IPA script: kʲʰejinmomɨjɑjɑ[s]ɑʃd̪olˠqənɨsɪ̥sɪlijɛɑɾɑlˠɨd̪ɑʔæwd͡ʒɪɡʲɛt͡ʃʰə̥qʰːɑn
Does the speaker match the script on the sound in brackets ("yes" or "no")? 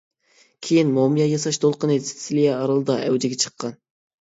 yes